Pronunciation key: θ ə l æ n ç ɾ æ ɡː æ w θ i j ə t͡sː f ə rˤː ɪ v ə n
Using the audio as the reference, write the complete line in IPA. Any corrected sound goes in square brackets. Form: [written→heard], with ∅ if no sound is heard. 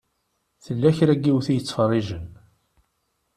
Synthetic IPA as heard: θ ə [l→lː] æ [n→∅] ç ɾ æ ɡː [æ→i] w θ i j ə t͡sː f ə rˤː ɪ [v→ʒ] ə n